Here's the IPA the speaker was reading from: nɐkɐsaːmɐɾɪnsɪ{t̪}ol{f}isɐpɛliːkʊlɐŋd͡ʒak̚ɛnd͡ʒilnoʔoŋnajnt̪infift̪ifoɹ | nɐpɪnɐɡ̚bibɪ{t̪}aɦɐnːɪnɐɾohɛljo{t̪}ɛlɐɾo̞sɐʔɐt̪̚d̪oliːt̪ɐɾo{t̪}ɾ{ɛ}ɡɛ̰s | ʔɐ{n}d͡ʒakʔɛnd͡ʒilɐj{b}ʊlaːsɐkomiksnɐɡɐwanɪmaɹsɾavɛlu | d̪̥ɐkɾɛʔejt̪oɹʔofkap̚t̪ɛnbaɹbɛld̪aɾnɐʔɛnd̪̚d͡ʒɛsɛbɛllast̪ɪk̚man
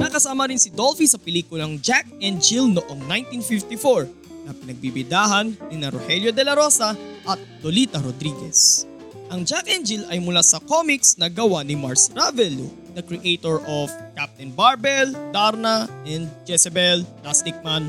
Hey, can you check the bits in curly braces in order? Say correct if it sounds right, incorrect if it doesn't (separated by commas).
incorrect, correct, incorrect, incorrect, incorrect, incorrect, incorrect, incorrect